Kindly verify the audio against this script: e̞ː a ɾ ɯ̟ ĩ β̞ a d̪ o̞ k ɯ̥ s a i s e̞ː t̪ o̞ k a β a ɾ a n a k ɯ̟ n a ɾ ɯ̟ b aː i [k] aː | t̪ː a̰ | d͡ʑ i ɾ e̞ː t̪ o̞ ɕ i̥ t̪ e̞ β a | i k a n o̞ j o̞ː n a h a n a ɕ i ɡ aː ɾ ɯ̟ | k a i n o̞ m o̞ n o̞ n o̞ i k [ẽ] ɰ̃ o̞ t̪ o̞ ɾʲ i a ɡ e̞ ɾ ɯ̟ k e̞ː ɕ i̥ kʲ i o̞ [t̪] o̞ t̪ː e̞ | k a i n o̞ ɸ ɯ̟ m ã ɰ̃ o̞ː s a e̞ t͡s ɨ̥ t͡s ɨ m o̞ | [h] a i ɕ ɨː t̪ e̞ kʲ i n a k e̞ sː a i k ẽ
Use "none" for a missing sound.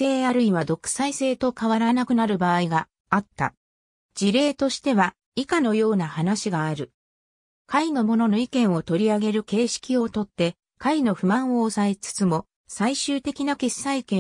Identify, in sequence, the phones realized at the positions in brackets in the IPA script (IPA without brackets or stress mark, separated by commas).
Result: ɡ, ẽ, t̪, s